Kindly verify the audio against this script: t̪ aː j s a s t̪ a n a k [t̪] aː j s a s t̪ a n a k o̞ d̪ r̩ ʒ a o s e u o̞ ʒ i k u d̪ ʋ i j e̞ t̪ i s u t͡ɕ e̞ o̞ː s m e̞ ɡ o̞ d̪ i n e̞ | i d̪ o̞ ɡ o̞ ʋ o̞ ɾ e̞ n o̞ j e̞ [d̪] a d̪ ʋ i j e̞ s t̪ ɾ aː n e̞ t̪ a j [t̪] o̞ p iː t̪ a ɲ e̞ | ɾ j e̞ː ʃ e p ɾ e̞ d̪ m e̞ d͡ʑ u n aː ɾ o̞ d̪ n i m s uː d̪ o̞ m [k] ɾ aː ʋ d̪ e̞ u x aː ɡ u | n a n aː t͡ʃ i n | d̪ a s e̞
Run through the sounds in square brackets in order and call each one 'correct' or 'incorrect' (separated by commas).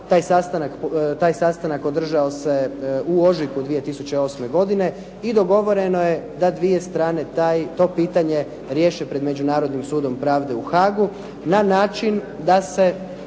correct, correct, correct, incorrect